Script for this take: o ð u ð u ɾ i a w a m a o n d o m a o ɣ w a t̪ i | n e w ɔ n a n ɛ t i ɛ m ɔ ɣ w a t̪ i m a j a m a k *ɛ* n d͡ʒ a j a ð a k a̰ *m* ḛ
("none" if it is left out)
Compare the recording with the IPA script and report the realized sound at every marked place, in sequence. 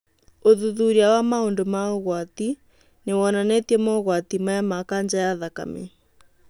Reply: a, m

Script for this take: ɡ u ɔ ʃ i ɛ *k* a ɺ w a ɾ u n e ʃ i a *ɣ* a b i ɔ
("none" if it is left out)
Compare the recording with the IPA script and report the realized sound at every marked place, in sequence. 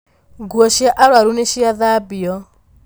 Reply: ʔ, ð

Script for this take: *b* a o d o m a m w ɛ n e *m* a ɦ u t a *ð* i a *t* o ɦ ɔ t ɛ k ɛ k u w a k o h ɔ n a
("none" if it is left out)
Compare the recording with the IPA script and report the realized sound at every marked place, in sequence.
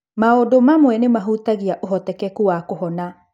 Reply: m, m, ɣ, ʔ

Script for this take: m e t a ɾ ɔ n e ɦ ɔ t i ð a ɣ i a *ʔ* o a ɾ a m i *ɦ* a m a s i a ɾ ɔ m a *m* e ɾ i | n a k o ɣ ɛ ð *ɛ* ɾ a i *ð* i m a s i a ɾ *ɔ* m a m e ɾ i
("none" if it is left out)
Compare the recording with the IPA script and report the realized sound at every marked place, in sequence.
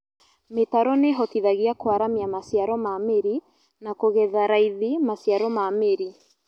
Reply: k, none, m, a, ð, ɔ

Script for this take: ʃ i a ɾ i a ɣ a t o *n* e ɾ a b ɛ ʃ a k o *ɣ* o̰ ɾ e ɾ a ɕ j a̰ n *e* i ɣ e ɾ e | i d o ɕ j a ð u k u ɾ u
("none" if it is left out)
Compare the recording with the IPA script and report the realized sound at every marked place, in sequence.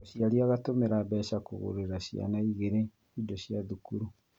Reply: m, ɣ, a

